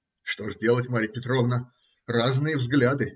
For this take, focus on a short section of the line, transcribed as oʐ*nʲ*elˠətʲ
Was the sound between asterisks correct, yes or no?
no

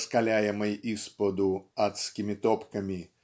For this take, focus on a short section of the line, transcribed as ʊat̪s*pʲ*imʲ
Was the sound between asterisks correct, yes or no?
no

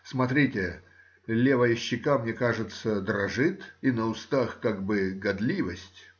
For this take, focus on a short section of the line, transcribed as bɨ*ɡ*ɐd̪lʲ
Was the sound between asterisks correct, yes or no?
yes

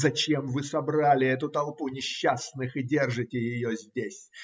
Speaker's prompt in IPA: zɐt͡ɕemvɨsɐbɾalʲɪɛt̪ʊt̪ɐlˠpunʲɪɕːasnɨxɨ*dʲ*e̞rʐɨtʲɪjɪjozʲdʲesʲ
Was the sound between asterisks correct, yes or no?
yes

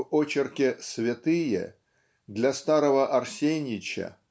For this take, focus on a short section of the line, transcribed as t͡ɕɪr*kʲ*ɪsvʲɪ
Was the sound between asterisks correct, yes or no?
yes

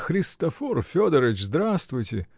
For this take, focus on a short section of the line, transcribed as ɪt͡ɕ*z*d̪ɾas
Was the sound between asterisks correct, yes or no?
yes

